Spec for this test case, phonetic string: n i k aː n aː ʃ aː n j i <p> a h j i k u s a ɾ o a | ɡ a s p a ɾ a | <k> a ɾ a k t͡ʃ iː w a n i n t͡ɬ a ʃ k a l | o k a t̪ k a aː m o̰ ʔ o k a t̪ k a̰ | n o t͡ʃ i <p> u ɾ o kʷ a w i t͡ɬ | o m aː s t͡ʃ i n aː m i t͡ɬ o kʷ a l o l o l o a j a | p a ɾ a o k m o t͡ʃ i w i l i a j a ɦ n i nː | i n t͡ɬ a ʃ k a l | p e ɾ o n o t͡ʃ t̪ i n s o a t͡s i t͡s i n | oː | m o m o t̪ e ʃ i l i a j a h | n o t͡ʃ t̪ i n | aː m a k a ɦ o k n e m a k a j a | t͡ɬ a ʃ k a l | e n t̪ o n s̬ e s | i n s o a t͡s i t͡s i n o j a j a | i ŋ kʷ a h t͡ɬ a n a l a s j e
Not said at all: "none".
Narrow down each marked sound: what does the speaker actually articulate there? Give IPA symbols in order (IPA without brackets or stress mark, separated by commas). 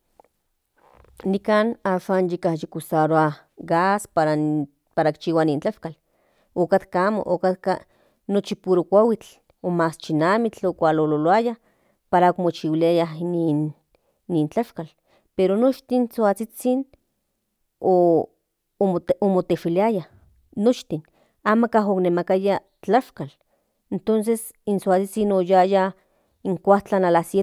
k, p, p